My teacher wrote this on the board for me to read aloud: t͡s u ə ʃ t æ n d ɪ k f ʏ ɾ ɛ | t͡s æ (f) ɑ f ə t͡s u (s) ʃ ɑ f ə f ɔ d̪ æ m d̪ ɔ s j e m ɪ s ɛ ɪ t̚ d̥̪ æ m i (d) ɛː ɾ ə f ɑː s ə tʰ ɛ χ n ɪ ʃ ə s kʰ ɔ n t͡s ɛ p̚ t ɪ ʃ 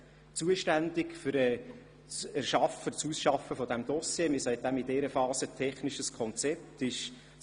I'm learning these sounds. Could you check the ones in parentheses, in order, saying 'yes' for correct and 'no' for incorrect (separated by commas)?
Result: no, yes, yes